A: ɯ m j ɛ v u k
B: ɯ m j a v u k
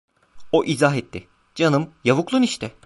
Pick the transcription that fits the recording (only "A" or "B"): B